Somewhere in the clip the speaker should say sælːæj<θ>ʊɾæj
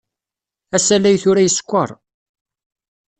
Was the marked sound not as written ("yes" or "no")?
no